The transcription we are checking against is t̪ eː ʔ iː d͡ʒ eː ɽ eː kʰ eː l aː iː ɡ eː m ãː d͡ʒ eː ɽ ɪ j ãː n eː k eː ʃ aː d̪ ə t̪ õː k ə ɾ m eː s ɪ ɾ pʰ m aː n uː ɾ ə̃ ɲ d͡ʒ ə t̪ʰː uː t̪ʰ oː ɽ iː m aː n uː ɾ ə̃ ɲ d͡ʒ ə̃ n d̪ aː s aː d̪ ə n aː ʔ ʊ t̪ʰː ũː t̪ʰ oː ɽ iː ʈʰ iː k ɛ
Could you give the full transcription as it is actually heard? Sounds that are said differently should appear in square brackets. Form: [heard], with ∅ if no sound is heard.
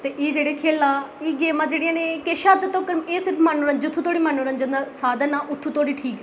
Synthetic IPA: t̪ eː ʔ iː d͡ʒ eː ɽ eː kʰ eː l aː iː ɡ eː m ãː d͡ʒ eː ɽ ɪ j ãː n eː k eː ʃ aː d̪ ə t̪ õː k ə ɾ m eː s ɪ ɾ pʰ m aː n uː ɾ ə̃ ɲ d͡ʒ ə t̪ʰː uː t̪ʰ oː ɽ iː m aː n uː ɾ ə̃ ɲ d͡ʒ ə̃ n d̪ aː s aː d̪ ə n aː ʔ ʊ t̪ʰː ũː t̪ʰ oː ɽ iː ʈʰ iː k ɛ